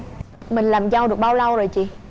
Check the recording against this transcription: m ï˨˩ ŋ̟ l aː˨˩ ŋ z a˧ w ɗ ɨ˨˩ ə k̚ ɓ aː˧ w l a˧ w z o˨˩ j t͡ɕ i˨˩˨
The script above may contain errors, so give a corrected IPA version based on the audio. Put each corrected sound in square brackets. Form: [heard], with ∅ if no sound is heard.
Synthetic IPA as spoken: m ï˨˩ ŋ̟ l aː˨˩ [m] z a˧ w ɗ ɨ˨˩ ə k̚ ɓ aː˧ w l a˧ w z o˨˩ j t͡ɕ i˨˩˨